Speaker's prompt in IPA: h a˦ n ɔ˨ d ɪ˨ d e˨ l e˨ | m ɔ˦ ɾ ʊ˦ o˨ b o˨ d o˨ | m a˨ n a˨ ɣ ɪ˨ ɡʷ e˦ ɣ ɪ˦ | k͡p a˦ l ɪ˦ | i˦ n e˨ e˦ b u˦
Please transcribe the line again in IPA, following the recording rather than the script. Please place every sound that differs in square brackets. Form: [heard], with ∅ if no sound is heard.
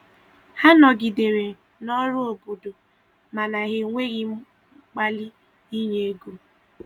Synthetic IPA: h a˦ n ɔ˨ [ɡ] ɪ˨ d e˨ [ɾ] e˨ | [n] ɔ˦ ɾ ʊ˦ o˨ b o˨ d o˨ | m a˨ n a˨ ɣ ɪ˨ [ŋʷ] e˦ ɣ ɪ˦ | k͡p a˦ l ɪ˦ | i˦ [ɲ] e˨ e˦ [ɡ] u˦